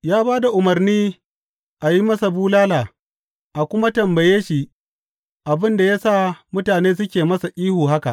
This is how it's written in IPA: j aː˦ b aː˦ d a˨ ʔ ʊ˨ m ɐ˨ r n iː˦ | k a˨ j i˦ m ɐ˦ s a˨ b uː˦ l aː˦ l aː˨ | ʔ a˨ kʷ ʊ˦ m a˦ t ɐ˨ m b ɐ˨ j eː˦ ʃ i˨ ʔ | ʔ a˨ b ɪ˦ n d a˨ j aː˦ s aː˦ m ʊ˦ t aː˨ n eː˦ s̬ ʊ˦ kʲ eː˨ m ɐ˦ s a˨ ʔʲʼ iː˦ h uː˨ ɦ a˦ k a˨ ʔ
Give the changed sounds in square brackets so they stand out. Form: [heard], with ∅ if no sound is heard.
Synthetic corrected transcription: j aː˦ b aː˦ d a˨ ʔ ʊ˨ m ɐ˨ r n iː˦ | [ʔ] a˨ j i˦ m ɐ˦ s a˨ b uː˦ l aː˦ l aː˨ | ʔ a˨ kʷ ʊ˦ m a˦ t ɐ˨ m b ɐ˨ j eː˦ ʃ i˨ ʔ | ʔ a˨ b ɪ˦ n d a˨ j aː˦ s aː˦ m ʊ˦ t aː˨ n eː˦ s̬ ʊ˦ kʲ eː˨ m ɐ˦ s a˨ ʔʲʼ iː˦ h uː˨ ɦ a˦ k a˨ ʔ